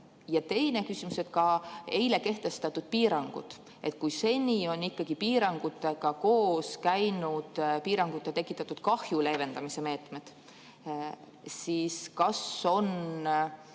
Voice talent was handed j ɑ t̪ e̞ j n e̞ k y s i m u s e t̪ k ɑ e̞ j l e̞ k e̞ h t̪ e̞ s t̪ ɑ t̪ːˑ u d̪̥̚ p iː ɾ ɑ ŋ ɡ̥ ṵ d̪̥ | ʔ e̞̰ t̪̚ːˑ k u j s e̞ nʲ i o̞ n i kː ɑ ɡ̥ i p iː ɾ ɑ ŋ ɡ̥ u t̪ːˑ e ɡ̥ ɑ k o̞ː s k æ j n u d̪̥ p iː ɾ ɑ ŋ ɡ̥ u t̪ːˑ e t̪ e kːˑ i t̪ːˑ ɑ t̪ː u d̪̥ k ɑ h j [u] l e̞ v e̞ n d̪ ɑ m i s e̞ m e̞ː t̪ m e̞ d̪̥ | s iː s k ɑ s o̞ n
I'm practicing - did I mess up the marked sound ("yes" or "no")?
no